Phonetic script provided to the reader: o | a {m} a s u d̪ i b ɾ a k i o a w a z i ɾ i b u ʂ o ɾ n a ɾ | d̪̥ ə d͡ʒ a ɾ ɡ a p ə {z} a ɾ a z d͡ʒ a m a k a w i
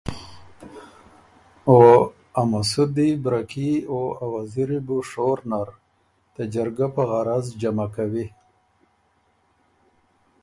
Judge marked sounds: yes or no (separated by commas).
yes, no